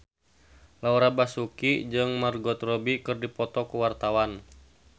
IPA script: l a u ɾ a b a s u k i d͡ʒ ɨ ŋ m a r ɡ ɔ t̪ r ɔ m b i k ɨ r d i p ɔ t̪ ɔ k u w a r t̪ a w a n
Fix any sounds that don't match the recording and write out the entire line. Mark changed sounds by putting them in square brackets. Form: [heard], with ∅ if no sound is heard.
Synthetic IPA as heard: l a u ɾ a b a s u k i d͡ʒ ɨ ŋ m a r ɡ ɔ t̪ r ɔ [∅] b i k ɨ r d i p ɔ t̪ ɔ k u w a r t̪ a w a n